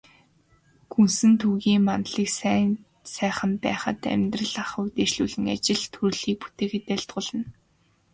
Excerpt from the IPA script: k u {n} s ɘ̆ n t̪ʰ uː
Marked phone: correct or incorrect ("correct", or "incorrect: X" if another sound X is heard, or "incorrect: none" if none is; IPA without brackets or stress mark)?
correct